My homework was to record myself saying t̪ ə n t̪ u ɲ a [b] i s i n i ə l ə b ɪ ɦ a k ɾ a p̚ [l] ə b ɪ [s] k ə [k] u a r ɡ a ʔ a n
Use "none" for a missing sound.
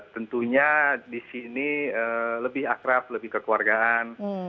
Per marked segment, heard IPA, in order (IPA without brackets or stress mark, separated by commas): d, l, h, k